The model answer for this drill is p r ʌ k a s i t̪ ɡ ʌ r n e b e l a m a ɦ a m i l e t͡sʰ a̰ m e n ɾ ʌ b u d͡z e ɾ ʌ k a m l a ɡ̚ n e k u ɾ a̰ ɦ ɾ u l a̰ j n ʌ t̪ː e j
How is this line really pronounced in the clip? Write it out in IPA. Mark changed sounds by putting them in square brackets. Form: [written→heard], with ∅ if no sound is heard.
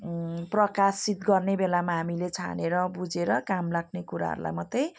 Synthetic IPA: p r ʌ k a s i t̪ ɡ ʌ r n e b e l a m a ɦ a m i l e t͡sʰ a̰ [m→n] e [n→∅] ɾ ʌ b u d͡z e ɾ ʌ k a m l a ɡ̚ n e k u ɾ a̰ ɦ ɾ u l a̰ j [n→m] ʌ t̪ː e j